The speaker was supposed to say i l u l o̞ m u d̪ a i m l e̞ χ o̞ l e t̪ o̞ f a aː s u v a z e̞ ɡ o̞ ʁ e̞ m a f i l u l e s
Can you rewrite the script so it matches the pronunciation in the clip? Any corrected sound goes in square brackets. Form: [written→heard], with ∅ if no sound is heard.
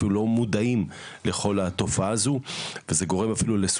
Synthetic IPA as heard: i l u l o̞ m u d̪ a i m l e̞ χ o̞ l [e→a] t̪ o̞ f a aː [s→z] u v [a→e] z e̞ ɡ o̞ ʁ e̞ m a f i l u l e s

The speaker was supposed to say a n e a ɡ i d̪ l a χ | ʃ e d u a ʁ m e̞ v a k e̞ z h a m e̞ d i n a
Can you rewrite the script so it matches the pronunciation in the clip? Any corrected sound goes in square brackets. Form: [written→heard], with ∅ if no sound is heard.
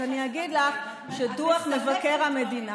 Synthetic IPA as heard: a n [e→i] a ɡ i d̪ l a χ | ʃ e d u a [ʁ→χ] m e̞ v a k e̞ [z→ʁ] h a m e̞ d i n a

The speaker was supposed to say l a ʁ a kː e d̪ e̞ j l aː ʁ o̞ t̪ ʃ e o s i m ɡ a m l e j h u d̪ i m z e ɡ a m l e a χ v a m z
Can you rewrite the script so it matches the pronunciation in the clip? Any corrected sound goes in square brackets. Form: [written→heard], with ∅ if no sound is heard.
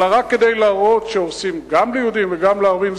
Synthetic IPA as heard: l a ʁ a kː e d̪ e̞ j l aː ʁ o̞ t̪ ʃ e o s i m ɡ a m l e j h u d̪ i m [z→v] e ɡ a m l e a [χ→ʁ] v [a→i] m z

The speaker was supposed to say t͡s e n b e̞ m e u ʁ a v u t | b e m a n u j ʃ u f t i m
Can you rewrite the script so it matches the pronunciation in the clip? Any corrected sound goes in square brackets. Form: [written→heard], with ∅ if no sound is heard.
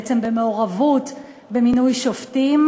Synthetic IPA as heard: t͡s e [n→m] b e̞ m e [u→o] ʁ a v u t | b e m [a→i] n u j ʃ [u→o] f t i m

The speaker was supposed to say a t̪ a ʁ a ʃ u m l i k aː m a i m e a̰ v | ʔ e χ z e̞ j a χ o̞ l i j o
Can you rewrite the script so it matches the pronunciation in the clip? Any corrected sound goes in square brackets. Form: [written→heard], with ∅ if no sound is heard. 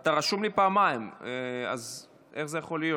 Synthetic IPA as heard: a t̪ a ʁ a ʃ u m l i [k→p] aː m a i m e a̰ [v→z] | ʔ e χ z e̞ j a χ o̞ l i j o

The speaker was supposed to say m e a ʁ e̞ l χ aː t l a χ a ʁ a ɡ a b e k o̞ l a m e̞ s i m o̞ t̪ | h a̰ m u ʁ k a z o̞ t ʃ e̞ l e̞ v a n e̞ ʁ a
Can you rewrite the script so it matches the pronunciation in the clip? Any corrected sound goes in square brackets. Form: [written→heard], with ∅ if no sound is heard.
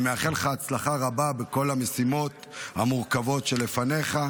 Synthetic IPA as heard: m e a [ʁ→χ] e̞ l χ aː [t→t͡s] l a χ a ʁ a [ɡ→b] a b e k o̞ l a m e̞ s i m o̞ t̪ | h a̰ m u ʁ k a [z→v] o̞ t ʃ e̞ l e̞ [v→f] a n e̞ [ʁ→χ] a

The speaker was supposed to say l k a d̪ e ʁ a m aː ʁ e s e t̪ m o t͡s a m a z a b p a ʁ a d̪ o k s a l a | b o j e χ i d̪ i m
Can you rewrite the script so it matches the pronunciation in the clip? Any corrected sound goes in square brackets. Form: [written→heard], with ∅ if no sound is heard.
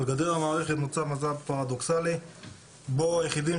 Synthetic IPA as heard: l [k→ɡ] a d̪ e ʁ a m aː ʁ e [s→χ] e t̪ m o t͡s a m a z a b p a ʁ a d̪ o k s a l [a→i] | b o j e χ i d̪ i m

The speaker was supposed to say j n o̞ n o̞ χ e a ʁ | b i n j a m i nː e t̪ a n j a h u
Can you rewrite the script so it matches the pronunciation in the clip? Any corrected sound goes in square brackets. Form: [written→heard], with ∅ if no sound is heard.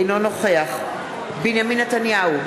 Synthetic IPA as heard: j n o̞ n o̞ χ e a [ʁ→χ] | b i n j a m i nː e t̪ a n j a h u

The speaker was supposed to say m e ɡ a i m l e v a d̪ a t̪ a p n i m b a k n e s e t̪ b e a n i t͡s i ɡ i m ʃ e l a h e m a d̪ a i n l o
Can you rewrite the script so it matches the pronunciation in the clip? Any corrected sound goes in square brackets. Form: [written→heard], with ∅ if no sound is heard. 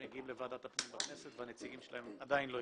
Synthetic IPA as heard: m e ɡ [a→i] i m l e v a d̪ a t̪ a p n i m b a k n e s e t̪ [b→v] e a n [i→e] t͡s i ɡ i m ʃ e l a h e m a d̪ a i n l o

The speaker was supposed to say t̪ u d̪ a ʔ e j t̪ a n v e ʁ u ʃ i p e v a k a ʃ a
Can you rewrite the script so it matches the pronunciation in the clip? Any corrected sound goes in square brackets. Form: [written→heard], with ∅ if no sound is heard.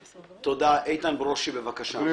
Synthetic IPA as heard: t̪ [u→o] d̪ a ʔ e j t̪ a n [v→b] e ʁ [u→o] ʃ i [p→b] e v a k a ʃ a

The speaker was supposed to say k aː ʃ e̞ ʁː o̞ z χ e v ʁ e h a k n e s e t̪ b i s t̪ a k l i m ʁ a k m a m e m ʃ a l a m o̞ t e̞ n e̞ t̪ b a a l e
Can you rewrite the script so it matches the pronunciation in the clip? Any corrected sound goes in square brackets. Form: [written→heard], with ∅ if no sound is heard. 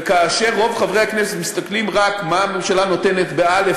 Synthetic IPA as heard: k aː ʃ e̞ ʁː o̞ [z→v] χ [e→a] v ʁ e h a k n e s e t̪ [b→m] i s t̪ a k l i m ʁ a k m a m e m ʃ a l a [m→n] o̞ t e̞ n e̞ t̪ b [a→e] a l e

